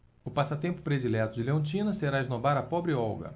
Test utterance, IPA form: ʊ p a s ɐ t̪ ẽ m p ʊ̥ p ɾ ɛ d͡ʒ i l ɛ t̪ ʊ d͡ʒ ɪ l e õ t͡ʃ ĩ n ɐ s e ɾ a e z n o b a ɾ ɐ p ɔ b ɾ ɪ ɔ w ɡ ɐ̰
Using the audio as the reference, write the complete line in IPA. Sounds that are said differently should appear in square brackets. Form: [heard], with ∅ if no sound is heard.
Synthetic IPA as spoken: ʊ p a s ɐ t̪ ẽ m p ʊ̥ p ɾ [e] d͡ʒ i l ɛ t̪ ʊ d͡ʒ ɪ l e õ t͡ʃ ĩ n ɐ s e ɾ a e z n o b a ɾ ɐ p ɔ b ɾ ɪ ɔ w ɡ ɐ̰